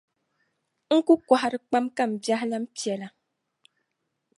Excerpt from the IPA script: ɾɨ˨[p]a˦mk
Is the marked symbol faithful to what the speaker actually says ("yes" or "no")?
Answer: no